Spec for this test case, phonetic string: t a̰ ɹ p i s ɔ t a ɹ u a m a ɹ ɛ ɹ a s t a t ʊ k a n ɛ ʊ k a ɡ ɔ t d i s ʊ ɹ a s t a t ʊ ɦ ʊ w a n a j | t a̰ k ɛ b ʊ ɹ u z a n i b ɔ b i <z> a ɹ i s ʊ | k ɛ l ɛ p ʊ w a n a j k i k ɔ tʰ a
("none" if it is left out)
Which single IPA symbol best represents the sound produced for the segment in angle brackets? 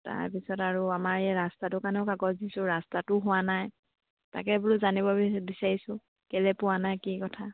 s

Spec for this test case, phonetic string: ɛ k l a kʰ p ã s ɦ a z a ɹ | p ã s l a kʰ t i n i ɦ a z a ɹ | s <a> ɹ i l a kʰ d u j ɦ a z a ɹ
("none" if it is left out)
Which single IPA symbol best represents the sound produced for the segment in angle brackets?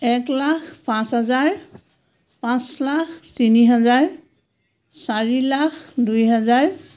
a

